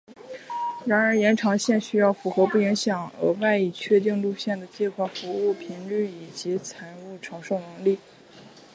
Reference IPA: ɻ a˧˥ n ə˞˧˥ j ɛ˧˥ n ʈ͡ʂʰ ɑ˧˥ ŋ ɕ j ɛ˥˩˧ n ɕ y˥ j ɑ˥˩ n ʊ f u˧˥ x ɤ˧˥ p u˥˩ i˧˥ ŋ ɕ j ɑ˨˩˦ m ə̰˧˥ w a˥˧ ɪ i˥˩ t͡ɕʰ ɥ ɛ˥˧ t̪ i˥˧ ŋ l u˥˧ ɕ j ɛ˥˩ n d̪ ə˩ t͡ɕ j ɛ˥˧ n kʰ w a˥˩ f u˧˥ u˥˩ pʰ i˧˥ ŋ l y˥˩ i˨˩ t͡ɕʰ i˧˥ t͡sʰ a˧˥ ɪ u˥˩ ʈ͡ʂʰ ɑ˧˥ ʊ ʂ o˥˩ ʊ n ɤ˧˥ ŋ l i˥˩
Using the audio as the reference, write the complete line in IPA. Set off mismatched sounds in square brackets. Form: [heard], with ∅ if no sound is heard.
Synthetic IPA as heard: ɻ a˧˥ n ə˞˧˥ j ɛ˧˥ n ʈ͡ʂʰ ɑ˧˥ ŋ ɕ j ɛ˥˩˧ n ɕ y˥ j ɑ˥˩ [∅] ʊ f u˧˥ x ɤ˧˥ p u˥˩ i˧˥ ŋ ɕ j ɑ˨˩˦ [ŋ] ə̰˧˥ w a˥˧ ɪ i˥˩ t͡ɕʰ ɥ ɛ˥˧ t̪ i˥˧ ŋ l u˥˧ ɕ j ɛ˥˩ n d̪ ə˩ t͡ɕ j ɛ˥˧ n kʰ w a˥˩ f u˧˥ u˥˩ pʰ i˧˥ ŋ l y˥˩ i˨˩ [t͡ɕ] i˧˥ t͡sʰ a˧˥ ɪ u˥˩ ʈ͡ʂʰ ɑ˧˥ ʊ ʂ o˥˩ ʊ n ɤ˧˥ ŋ l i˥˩

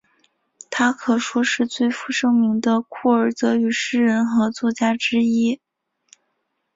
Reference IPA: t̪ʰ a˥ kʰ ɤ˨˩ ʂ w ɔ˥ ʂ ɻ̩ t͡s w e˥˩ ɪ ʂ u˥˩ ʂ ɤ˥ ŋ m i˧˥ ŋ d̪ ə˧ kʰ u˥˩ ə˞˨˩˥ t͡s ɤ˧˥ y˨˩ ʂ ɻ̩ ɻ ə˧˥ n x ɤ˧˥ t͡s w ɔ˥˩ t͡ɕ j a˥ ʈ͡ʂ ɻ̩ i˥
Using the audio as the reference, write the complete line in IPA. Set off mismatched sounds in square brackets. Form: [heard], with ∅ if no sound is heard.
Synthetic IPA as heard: t̪ʰ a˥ kʰ ɤ˨˩ ʂ w ɔ˥ ʂ ɻ̩ t͡s w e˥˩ ɪ [f] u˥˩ ʂ ɤ˥ ŋ m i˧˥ ŋ d̪ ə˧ kʰ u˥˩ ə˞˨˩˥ t͡s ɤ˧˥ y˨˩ ʂ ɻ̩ ɻ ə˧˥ n x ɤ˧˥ t͡s w ɔ˥˩ t͡ɕ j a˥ ʈ͡ʂ ɻ̩ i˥

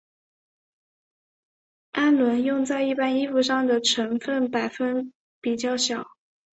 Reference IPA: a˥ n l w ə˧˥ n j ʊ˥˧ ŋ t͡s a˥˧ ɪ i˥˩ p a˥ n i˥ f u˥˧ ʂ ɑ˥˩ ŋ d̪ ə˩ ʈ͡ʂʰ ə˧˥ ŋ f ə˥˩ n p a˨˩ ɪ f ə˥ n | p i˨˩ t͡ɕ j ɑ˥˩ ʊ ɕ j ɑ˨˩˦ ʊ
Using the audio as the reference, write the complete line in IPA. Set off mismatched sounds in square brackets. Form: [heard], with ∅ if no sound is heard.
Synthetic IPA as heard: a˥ n l w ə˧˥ n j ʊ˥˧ ŋ t͡s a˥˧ ɪ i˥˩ p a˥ n i˥ f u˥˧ ʂ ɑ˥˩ ŋ d̪ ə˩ ʈ͡ʂʰ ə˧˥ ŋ f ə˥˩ n p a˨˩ ɪ f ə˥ n | p i˨˩ t͡ɕ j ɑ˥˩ ʊ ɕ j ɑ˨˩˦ ʊ

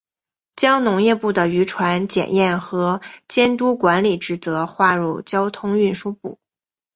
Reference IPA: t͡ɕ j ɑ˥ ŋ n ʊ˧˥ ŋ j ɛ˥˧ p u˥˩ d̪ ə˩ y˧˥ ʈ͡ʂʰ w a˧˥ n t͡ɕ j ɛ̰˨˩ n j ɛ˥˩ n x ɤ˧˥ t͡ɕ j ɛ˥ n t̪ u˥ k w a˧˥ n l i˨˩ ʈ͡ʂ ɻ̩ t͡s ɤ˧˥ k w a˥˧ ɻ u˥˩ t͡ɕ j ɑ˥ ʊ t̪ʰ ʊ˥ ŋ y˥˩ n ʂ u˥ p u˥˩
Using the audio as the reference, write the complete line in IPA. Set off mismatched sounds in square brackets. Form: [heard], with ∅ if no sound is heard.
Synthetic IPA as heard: t͡ɕ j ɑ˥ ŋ n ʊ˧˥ ŋ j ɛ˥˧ p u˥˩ d̪ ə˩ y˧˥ ʈ͡ʂʰ w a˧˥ n t͡ɕ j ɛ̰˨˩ n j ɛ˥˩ n x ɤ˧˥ t͡ɕ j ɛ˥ n t̪ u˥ k w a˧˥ n l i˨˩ ʈ͡ʂ ɻ̩ t͡s ɤ˧˥ [x] w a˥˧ ɻ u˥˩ t͡ɕ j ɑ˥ ʊ t̪ʰ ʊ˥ ŋ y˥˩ n ʂ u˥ p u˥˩

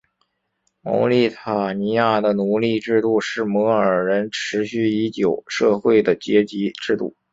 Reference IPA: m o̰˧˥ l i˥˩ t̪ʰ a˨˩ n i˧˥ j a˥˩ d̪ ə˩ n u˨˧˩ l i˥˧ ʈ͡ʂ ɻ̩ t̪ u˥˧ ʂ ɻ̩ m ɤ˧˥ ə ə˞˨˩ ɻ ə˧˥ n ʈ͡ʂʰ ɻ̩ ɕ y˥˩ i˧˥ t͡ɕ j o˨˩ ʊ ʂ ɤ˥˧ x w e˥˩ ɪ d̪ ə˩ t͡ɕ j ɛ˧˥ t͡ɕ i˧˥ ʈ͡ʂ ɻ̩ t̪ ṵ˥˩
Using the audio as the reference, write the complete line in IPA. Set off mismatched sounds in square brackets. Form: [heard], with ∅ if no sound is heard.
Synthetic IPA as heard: m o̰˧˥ l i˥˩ t̪ʰ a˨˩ n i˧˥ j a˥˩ d̪ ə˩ n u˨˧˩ l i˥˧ ʈ͡ʂ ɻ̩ t̪ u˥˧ ʂ ɻ̩ m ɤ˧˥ ə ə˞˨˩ ɻ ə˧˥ n ʈ͡ʂʰ ɻ̩ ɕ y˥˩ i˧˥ t͡ɕ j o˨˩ ʊ ʂ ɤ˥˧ x w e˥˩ ɪ d̪ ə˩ t͡ɕ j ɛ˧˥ t͡ɕ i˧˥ ʈ͡ʂ ɻ̩ t̪ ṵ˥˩

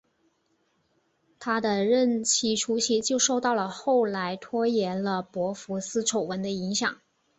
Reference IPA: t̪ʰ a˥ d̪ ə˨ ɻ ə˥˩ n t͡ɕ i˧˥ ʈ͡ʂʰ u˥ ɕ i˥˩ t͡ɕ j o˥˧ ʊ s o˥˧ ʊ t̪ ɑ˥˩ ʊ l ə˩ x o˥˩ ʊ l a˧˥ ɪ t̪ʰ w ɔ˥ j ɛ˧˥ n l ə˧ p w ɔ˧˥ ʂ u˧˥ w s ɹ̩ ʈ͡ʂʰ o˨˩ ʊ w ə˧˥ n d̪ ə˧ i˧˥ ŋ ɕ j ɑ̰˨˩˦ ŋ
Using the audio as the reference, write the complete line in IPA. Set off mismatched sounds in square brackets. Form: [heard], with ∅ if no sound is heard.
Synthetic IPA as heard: t̪ʰ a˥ d̪ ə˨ ɻ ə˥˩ n [t͡ɕʰ] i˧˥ ʈ͡ʂʰ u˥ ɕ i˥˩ t͡ɕ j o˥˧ ʊ [ʂ] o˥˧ ʊ t̪ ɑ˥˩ ʊ l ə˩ x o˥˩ ʊ l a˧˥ ɪ t̪ʰ w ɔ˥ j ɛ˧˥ n l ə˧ p w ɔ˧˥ [f] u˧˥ [∅] s ɹ̩ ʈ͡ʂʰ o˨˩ ʊ w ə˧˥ n d̪ ə˧ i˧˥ ŋ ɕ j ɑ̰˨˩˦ ŋ

